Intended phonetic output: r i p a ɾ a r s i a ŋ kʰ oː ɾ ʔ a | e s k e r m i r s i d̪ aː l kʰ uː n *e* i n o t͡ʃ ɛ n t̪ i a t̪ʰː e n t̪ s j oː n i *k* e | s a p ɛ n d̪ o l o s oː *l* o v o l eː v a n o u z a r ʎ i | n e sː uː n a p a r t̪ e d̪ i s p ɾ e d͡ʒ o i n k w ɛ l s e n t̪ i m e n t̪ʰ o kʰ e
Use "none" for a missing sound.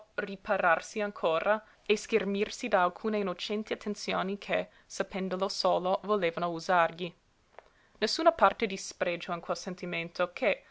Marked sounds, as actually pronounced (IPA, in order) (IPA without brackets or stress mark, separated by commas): e, kʰ, l